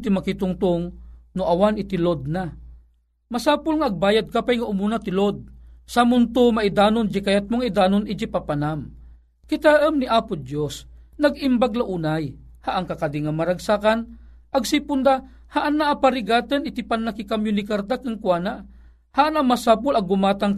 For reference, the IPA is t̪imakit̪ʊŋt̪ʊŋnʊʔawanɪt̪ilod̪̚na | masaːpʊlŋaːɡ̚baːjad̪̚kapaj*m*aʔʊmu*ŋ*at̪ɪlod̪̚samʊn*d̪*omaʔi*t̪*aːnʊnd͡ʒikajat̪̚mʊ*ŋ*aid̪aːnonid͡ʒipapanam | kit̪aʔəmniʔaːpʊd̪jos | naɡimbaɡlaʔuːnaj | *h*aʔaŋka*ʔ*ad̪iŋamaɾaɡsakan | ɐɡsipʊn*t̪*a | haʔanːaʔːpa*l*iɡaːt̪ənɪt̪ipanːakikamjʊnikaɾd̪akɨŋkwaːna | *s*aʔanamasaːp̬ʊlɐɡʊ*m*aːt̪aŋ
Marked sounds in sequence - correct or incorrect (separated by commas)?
incorrect, incorrect, incorrect, incorrect, correct, correct, incorrect, incorrect, incorrect, incorrect, correct